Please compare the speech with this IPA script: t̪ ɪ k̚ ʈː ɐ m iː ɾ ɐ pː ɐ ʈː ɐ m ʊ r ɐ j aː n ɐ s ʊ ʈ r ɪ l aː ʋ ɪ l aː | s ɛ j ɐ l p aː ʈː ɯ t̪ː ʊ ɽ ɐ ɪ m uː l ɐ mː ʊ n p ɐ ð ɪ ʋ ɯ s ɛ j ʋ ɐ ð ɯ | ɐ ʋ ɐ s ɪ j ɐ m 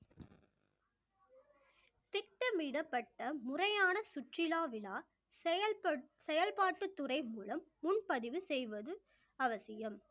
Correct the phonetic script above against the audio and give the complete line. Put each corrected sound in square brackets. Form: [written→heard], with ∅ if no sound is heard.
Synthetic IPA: t̪ ɪ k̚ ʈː ɐ m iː [ɾ→ɽ] ɐ pː ɐ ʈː ɐ m ʊ r ɐ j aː n ɐ s ʊ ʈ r ɪ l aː ʋ ɪ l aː | s ɛ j ɐ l p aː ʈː ɯ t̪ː ʊ [ɽ→r] ɐ ɪ m uː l ɐ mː ʊ n p ɐ ð ɪ ʋ ɯ s ɛ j ʋ ɐ ð ɯ | ɐ ʋ ɐ s ɪ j ɐ m